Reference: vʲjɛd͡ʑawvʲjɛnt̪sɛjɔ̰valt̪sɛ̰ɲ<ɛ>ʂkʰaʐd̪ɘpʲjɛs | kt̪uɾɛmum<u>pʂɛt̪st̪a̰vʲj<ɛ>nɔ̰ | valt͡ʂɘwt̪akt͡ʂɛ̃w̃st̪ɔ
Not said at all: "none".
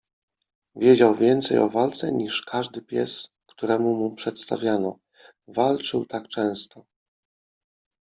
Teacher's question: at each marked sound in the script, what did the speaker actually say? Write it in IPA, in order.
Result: i, u, a

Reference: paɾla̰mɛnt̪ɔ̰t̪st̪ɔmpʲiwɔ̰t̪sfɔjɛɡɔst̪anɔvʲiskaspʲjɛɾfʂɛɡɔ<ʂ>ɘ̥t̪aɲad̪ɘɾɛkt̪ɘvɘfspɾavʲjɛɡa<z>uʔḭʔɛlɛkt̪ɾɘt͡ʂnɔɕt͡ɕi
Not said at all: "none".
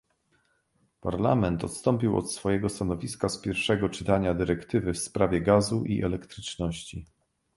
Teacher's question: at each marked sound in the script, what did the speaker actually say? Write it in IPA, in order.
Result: t͡ʂ, z

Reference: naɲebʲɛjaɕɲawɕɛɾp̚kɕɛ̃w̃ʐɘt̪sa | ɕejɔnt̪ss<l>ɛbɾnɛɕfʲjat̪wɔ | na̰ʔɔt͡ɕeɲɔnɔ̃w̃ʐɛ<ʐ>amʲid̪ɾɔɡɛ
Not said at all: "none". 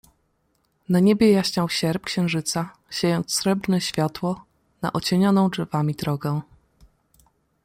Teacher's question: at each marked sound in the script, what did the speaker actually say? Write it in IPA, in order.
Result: ɾ, v

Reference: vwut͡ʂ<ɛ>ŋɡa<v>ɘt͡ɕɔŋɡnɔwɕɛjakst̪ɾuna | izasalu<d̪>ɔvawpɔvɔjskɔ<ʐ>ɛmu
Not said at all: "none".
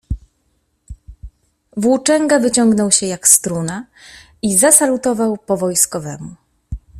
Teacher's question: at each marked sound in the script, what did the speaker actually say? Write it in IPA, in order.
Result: ɛ, v, t̪, v

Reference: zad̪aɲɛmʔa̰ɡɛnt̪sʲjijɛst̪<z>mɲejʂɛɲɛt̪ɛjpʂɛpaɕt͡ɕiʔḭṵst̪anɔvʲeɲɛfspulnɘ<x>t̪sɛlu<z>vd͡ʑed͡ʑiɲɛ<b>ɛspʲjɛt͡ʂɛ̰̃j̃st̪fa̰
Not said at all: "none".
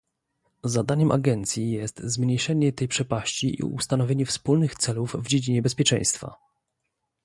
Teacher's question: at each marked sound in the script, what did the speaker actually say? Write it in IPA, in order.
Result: z, x, v, b

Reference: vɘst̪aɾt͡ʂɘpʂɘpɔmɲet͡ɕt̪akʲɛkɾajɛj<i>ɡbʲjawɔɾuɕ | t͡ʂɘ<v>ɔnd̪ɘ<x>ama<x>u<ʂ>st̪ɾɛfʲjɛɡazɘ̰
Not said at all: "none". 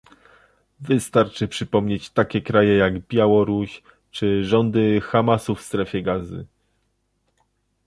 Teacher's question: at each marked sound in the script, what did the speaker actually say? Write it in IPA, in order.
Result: a, ʐ, x, s, f

